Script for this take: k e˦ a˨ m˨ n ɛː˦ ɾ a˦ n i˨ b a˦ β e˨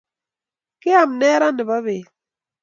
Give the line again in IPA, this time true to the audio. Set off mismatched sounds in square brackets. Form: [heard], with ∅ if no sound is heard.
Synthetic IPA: k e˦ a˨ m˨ n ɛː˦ ɾ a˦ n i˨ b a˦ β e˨